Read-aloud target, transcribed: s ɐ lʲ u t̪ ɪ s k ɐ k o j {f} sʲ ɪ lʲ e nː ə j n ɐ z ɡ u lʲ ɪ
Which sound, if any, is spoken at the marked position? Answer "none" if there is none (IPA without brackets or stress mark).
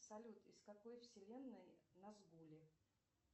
f